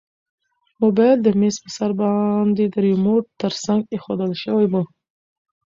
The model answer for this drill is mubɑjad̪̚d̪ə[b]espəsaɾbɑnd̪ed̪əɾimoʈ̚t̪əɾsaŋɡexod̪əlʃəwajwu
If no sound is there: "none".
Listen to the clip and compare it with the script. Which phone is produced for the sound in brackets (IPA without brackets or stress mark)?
m